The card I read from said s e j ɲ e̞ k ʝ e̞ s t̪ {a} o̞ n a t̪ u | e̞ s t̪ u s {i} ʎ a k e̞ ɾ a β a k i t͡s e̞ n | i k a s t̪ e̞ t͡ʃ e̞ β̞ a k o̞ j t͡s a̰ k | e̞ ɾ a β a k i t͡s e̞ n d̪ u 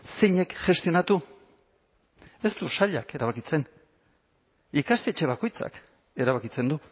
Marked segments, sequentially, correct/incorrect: incorrect: i, incorrect: a

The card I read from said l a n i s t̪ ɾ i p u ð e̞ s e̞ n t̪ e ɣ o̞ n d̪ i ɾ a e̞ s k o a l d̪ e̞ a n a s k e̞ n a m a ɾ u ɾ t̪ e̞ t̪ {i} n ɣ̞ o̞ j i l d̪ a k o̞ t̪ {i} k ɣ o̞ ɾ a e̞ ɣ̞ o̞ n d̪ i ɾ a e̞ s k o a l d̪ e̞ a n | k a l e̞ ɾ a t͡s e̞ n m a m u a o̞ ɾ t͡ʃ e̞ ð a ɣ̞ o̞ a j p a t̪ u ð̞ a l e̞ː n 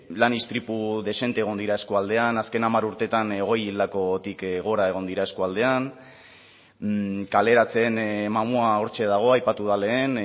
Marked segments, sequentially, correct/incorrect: incorrect: a, correct

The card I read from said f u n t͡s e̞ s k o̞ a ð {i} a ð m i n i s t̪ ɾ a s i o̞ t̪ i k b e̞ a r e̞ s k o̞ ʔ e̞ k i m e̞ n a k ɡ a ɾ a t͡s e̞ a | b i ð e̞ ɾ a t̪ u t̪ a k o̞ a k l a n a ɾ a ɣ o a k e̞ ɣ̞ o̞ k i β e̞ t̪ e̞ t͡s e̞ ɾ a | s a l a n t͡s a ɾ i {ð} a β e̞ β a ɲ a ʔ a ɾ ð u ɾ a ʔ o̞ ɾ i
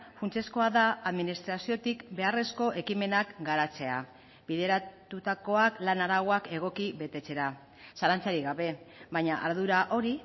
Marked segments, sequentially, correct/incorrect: incorrect: a, incorrect: ɣ

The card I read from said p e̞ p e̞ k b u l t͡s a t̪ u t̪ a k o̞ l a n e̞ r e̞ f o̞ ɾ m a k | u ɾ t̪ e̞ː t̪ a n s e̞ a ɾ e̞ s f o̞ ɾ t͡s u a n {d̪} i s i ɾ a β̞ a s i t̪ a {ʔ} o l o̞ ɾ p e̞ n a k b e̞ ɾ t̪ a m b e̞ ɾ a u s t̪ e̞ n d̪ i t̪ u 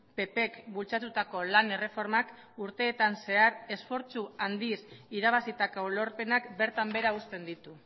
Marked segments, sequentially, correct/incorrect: correct, incorrect: k

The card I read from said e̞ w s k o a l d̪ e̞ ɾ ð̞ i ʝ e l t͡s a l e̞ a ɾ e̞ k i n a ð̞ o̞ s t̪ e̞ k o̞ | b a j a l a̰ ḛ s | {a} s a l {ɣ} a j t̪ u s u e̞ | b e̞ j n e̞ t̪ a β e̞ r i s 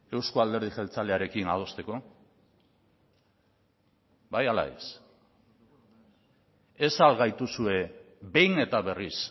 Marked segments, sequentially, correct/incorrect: incorrect: e, correct

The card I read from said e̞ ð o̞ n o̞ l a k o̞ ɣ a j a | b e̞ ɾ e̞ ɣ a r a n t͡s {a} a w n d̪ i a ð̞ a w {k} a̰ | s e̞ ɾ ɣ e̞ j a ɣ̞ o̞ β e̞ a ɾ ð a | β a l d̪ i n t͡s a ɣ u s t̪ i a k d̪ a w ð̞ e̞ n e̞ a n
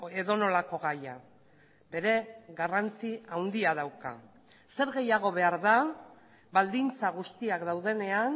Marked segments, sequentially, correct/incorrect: incorrect: i, correct

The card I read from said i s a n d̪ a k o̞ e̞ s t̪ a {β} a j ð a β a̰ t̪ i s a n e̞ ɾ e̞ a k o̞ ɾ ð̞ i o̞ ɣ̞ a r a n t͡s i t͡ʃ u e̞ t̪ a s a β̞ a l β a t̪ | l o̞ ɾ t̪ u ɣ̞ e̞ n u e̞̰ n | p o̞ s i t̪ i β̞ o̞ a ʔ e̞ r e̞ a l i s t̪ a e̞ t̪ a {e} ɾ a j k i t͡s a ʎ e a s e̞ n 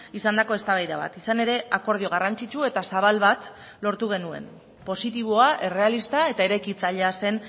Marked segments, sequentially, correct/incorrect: correct, correct

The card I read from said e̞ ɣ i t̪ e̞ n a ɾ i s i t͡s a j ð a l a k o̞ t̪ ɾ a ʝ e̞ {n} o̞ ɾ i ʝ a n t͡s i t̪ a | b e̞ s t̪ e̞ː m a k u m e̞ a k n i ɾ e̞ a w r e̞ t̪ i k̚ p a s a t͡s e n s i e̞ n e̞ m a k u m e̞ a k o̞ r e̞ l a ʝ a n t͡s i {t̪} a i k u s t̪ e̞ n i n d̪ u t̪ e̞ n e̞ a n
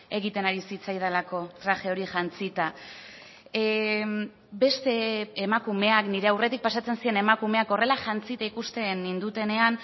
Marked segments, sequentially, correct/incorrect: incorrect: none, correct

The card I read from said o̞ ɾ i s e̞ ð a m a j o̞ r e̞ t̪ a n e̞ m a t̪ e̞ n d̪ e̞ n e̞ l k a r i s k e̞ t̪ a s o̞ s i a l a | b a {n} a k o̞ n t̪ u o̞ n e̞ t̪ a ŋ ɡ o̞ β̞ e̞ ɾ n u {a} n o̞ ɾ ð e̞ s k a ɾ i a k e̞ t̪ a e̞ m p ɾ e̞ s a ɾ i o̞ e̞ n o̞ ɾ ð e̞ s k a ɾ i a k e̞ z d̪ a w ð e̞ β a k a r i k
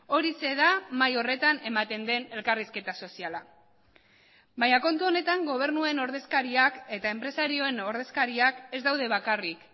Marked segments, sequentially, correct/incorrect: incorrect: ɲ, incorrect: e

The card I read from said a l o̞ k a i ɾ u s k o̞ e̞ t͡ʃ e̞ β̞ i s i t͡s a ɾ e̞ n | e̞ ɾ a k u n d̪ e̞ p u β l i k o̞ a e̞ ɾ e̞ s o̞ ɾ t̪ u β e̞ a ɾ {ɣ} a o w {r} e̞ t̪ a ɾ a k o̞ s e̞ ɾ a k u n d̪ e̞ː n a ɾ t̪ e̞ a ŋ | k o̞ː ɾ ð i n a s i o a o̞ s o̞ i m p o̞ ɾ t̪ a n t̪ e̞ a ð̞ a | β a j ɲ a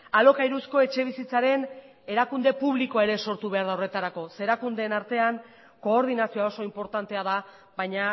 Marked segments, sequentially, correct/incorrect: incorrect: ð, correct

